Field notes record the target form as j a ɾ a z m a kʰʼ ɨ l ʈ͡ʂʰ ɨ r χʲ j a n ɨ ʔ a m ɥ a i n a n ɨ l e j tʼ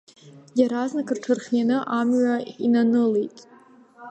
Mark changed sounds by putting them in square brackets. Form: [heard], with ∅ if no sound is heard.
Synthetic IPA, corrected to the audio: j a ɾ a z [n] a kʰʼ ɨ [r] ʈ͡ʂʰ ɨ r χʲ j a n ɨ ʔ a m ɥ a i n a n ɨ l e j tʼ